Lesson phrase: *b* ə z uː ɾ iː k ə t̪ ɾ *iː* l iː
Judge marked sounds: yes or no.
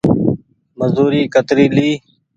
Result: no, yes

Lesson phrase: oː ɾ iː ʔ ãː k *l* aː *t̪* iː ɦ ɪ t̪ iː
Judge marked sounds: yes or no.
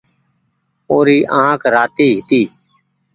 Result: no, yes

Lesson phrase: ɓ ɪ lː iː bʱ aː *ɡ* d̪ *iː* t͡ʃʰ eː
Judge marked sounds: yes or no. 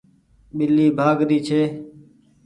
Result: yes, yes

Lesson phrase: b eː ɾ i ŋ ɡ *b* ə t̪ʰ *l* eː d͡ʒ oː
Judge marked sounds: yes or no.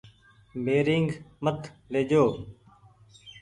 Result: no, yes

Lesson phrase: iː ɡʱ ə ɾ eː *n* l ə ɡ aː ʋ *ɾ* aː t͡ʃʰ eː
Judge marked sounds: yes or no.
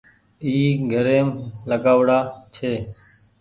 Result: no, no

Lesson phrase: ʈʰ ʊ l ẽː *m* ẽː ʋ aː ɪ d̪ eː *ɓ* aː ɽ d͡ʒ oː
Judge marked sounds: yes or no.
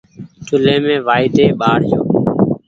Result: yes, yes

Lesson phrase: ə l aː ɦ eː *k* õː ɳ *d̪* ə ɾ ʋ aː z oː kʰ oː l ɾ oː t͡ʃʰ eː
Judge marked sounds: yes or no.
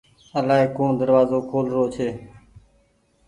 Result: yes, yes

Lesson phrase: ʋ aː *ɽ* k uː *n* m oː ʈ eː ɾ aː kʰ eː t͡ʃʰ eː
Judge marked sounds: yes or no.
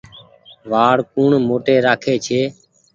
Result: yes, no

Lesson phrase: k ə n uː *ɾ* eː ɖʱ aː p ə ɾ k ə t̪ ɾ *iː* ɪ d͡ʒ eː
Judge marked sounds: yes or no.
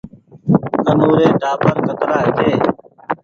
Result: yes, no

